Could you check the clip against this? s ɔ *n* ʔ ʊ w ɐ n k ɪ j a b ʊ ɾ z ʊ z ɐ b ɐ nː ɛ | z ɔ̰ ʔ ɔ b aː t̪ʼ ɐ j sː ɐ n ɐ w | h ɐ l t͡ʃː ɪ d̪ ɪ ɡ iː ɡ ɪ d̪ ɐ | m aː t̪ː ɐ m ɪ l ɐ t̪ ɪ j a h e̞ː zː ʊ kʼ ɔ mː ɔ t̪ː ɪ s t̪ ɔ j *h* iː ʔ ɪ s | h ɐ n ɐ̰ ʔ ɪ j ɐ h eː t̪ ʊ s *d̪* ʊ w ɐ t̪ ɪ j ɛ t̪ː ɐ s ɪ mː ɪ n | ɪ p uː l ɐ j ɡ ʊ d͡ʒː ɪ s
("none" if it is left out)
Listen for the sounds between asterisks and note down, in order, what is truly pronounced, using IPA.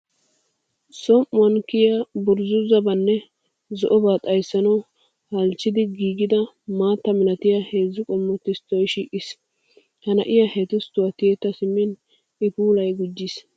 m, ʃ, t̪

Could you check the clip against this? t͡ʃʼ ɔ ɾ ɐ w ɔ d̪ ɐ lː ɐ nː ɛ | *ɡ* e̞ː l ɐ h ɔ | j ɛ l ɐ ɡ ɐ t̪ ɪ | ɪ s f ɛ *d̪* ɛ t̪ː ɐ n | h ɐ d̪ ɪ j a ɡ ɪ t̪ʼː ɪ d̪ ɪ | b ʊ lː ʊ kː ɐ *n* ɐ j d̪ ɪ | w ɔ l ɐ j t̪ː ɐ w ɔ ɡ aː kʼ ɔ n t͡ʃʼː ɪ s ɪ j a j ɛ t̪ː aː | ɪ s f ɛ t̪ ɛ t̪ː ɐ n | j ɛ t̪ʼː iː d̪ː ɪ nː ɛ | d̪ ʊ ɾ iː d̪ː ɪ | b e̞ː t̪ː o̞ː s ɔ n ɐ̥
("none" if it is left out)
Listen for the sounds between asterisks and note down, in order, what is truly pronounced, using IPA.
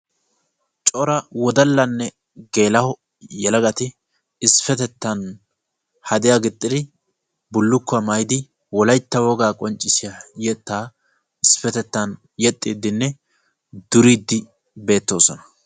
ɡ, t̪, m

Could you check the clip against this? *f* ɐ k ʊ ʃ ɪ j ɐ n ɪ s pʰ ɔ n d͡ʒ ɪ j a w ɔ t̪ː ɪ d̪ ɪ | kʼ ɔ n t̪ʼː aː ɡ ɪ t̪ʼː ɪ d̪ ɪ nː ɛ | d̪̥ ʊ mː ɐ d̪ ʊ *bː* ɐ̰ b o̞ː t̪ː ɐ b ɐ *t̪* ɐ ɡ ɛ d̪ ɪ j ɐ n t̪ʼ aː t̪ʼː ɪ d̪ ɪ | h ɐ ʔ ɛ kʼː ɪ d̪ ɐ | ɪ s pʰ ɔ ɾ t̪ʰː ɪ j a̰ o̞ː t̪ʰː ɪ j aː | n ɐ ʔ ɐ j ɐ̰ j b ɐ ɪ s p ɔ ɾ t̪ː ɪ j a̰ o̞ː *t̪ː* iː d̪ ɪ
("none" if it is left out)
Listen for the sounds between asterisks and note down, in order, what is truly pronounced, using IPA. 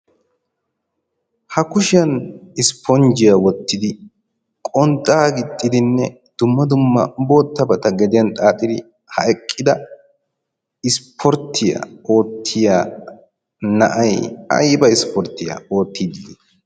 h, mː, t̪, t̪ː

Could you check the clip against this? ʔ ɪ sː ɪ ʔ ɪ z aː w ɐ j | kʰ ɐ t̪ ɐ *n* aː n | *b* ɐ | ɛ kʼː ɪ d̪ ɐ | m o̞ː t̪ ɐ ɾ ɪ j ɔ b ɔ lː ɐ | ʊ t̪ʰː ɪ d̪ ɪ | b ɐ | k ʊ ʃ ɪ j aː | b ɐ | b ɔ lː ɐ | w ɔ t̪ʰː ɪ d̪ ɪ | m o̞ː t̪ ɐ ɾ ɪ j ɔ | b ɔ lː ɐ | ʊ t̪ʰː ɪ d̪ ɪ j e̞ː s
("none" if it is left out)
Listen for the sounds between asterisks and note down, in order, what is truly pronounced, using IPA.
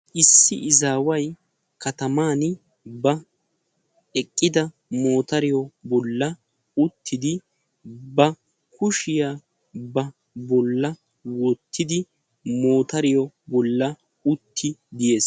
m, b

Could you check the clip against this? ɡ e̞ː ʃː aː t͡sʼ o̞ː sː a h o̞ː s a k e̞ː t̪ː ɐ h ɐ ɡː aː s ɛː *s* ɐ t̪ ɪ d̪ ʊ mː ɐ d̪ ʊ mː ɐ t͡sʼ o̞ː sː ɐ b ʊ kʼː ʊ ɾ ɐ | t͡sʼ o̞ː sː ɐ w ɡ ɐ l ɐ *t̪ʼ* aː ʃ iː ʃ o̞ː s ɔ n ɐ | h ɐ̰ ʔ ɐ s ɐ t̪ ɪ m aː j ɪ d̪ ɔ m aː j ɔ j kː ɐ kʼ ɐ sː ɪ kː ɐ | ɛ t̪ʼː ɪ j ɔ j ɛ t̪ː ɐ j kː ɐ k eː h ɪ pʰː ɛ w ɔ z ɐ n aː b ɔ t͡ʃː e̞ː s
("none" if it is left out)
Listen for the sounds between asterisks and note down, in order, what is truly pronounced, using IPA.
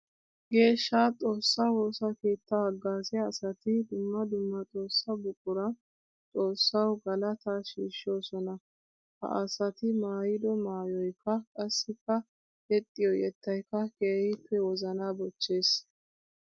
s, t̪

